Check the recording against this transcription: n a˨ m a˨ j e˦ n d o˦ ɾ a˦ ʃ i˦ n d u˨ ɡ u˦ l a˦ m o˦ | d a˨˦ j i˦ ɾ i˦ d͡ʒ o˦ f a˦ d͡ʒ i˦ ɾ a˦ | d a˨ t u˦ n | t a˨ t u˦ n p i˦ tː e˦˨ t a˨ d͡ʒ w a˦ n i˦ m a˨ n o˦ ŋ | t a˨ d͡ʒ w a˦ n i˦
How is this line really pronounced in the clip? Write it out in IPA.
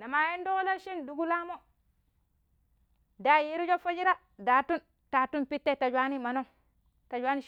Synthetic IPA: n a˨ m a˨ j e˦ n d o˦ l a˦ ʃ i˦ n d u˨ ɡ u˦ l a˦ m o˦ | d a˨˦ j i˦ ɾ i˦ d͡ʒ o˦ f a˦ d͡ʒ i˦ ɾ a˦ | d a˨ t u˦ n | t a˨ t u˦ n p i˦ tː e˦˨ t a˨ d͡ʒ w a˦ n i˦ m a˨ n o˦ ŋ | t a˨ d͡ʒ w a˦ n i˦

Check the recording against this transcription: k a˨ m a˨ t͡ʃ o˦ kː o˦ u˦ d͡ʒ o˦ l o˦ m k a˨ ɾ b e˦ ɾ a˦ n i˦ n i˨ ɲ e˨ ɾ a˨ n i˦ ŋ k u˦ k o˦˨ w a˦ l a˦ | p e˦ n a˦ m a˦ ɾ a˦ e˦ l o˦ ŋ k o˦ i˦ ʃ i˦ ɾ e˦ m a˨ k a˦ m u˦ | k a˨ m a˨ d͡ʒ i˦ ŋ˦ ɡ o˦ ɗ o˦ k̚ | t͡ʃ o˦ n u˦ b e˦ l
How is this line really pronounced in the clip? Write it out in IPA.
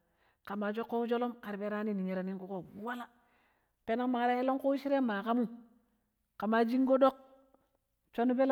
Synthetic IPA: k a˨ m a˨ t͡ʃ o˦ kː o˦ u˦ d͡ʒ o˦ l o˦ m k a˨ ɾ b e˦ ɾ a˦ n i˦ n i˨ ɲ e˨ ɾ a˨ n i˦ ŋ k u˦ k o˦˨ w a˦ l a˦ | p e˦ n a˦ m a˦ ɾ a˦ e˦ l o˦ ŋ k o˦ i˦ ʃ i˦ ɾ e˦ m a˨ k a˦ m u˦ | k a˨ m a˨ d͡ʒ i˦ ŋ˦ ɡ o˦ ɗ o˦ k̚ | t͡ʃ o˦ n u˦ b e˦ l

